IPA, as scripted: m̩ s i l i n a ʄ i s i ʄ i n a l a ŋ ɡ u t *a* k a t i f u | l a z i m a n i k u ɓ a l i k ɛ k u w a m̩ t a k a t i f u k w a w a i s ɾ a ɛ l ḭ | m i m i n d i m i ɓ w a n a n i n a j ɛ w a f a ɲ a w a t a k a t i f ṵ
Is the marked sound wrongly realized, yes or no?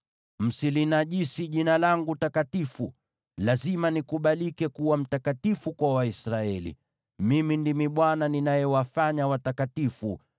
no